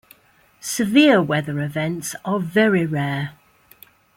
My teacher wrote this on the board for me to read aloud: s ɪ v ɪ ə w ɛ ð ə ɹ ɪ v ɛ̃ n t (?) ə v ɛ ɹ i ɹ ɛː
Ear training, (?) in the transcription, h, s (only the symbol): s